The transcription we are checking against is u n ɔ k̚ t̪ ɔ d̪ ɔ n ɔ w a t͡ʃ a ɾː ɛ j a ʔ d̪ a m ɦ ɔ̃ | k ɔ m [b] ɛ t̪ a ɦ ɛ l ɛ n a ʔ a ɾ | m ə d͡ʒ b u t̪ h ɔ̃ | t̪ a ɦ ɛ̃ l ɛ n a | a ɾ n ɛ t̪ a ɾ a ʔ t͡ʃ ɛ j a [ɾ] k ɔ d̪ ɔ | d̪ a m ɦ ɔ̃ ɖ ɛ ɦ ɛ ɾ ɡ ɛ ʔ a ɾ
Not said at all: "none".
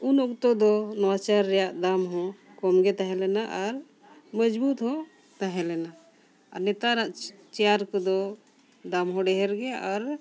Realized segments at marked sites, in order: ɡ, ɾ

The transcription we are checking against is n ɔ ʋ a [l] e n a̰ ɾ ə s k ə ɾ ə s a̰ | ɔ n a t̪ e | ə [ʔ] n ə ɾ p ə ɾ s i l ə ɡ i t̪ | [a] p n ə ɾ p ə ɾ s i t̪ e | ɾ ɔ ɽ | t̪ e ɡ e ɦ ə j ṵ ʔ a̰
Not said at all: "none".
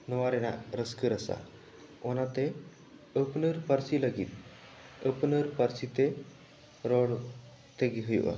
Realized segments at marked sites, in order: ɾ, p, ə

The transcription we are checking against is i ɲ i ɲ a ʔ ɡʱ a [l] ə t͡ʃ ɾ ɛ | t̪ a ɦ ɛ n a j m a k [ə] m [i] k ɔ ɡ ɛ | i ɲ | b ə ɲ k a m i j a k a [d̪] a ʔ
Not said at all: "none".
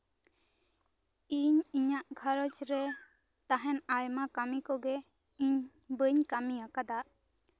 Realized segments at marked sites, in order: ɾ, a, i, d̪

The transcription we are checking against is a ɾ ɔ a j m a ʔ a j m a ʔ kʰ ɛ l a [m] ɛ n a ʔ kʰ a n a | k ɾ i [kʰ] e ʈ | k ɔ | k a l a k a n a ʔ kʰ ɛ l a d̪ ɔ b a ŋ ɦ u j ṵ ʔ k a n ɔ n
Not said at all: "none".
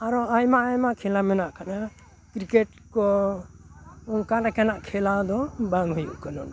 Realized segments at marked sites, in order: m, k

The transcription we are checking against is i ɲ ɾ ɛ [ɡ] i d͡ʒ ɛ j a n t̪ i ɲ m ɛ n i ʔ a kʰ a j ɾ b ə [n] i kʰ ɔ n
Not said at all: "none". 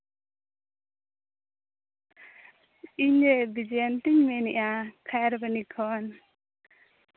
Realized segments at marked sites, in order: b, n

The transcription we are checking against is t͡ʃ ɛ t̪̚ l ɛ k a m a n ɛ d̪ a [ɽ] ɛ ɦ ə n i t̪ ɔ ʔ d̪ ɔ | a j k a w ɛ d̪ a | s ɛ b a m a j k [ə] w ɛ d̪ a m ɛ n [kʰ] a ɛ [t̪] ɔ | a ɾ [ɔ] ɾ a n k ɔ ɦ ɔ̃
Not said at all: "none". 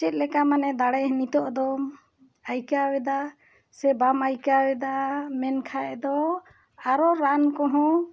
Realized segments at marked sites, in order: ɽ, a, kʰ, d̪, ɔ

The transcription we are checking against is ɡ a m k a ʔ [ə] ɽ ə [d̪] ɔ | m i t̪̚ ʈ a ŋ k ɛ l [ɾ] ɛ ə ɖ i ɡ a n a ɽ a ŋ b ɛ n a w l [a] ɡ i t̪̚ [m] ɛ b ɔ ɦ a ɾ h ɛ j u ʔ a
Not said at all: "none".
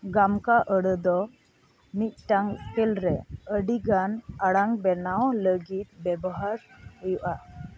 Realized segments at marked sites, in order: ə, d̪, ɾ, ə, b

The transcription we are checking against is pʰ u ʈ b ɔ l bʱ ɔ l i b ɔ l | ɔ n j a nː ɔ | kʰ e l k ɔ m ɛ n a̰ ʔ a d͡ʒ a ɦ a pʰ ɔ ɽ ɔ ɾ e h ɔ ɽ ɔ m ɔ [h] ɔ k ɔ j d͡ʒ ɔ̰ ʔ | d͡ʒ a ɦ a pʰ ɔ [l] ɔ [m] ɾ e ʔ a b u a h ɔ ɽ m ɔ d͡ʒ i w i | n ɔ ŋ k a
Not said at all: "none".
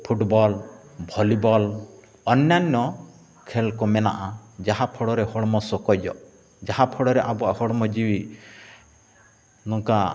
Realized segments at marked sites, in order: s, ɽ, none

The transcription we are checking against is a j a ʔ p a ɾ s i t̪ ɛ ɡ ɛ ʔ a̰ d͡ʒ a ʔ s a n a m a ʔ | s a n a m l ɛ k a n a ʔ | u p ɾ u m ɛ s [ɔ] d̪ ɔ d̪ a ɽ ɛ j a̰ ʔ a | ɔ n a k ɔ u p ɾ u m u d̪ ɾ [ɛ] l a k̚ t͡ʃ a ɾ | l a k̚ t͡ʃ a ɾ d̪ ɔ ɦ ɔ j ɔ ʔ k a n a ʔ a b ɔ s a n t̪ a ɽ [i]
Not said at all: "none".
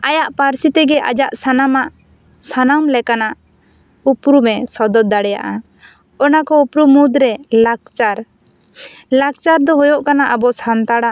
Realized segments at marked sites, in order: ɔ, ɛ, a

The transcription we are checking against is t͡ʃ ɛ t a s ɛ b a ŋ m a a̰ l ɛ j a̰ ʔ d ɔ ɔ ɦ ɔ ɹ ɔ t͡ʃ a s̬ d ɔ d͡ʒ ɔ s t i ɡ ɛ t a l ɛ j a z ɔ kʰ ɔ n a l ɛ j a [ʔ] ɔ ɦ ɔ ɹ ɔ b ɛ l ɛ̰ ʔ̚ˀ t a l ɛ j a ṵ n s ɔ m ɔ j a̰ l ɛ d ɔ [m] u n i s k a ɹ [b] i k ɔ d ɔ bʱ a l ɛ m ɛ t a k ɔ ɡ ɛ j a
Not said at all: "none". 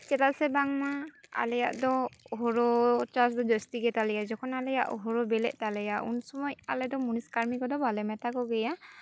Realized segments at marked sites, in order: ʔ, m, m

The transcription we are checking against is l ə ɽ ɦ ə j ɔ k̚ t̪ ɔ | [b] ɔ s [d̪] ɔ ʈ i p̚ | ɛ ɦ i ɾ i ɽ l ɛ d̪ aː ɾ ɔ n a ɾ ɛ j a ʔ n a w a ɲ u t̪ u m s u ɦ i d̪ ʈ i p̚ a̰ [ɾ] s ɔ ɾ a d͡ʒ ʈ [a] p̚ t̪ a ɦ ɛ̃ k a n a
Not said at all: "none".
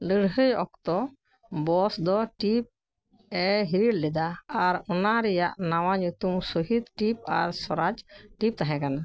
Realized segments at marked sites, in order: b, d̪, ɾ, i

